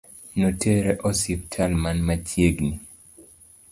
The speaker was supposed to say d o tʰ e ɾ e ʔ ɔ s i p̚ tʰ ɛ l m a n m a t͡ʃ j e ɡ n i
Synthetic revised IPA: n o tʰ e ɾ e ʔ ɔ s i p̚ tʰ a l m a n m a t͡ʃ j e ɡ n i